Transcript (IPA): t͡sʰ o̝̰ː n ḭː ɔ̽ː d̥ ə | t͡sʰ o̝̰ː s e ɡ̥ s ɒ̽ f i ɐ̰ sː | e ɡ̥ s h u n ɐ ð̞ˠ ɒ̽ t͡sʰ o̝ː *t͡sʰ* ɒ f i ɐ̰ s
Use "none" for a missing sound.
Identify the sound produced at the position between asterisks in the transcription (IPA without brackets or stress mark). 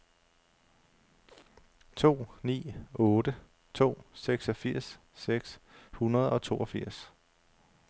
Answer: none